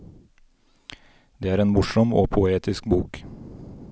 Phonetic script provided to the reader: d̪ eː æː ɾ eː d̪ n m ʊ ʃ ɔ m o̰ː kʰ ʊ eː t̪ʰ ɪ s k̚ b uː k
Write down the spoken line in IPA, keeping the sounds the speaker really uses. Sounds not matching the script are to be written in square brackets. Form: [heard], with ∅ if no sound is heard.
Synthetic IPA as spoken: d̪ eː æː ɾ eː [∅] n m ʊ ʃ ɔ m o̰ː [pʰ] ʊ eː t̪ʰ ɪ s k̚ b uː k